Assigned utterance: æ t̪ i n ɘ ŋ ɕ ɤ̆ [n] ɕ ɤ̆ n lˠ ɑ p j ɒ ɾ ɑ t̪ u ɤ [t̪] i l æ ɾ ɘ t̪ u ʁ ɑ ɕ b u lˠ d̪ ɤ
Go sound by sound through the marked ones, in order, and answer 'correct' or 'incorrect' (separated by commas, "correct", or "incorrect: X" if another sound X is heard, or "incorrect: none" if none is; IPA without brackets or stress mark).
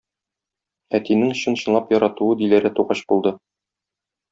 correct, incorrect: d̪